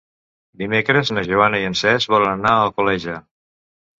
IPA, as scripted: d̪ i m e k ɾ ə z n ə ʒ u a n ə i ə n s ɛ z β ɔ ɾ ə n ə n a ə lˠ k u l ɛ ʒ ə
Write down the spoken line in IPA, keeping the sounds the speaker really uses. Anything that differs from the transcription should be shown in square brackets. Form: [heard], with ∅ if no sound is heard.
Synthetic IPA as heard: d̪ i m e k ɾ ə z n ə ʒ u a n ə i ə n s ɛ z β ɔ [l] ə n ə n a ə lˠ k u l ɛ ʒ ə